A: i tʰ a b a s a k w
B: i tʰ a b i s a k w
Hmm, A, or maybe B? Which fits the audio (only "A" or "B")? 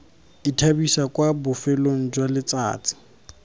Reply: B